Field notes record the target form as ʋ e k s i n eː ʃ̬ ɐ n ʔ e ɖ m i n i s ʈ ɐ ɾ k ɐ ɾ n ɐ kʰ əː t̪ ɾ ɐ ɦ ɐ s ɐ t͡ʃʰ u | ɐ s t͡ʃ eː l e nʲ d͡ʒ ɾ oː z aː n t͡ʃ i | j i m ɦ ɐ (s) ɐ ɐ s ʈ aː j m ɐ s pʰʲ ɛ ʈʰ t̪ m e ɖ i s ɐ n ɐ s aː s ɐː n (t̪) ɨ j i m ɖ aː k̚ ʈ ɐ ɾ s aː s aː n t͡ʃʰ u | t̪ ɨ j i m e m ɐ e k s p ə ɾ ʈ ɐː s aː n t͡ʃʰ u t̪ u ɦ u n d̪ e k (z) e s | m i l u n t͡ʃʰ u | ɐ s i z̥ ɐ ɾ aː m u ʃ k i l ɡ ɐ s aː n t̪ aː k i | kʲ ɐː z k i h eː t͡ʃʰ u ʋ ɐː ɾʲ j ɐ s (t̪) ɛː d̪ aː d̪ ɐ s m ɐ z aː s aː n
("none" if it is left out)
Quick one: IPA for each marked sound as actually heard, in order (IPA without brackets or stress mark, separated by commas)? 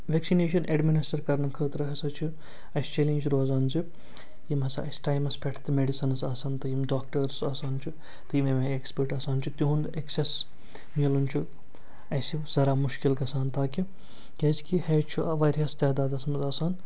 s, t̪, s, t̪